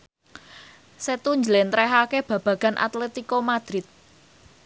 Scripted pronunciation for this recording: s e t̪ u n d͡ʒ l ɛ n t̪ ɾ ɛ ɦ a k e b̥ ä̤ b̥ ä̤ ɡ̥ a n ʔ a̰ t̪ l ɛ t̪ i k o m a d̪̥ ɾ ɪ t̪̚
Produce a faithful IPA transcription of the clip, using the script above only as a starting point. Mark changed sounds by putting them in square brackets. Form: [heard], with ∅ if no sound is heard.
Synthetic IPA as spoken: s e t̪ u [ɲ] d͡ʒ l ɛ n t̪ ɾ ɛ ɦ a k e b̥ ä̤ b̥ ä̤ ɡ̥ a n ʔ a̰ t̪ l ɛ t̪ i k o m a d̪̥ ɾ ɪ t̪̚